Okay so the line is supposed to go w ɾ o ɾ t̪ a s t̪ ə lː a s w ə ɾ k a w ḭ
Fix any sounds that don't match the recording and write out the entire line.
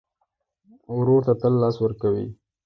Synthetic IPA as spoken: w ɾ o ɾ t̪ a t̪ ə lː ɑ s w ə ɾ k a w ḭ